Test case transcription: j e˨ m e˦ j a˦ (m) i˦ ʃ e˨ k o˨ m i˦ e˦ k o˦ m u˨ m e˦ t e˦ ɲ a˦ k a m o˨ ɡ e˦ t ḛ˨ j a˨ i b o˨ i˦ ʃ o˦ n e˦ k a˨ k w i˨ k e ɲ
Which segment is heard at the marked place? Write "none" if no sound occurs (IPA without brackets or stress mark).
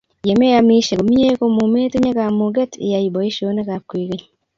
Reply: m